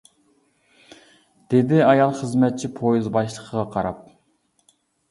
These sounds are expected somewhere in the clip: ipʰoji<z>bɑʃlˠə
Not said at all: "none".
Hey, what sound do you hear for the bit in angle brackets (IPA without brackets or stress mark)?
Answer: z